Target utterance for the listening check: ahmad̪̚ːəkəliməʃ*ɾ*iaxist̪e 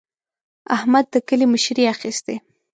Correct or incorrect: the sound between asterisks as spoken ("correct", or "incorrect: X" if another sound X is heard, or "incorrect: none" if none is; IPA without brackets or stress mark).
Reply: correct